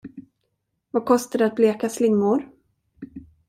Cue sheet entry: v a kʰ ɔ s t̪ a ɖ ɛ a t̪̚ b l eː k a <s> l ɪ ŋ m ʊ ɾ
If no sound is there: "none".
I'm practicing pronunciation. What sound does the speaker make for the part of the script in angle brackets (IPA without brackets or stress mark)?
s